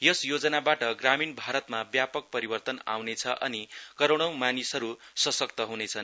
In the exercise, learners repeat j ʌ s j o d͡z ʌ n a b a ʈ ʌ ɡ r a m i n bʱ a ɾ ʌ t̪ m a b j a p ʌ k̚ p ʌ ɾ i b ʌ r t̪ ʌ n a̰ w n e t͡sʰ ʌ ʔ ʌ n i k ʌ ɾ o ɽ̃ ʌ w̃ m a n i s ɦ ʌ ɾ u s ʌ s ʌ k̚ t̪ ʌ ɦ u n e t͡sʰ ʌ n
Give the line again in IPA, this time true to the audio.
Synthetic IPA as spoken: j ʌ s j o d͡z ʌ n a b a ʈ ʌ ɡ r a m i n bʱ a ɾ ʌ t̪ m a b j a p ʌ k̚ p ʌ ɾ i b ʌ r t̪ ʌ n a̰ w n e t͡sʰ ʌ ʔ ʌ n i k ʌ ɾ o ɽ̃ ʌ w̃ m a n i s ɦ ʌ ɾ u s ʌ s ʌ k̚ t̪ ʌ ɦ u n e t͡sʰ ʌ n